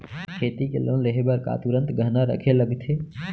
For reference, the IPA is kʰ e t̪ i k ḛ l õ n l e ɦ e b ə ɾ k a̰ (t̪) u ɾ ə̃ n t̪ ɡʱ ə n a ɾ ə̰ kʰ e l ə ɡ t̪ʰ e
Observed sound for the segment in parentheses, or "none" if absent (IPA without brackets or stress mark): t̪